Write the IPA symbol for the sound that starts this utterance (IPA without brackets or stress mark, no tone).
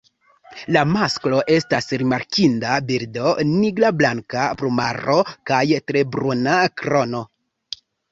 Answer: l